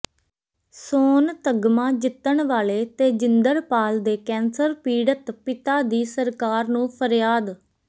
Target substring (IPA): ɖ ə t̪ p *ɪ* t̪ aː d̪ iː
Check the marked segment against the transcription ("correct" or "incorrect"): correct